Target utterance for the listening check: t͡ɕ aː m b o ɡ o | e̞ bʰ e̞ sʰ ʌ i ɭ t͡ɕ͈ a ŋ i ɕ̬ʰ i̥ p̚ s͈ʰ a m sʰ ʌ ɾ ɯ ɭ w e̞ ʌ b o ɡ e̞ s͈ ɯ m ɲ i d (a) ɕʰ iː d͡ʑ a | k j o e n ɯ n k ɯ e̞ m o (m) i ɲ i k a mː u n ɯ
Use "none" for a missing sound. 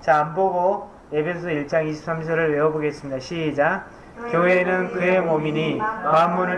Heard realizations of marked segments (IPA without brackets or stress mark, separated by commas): a, m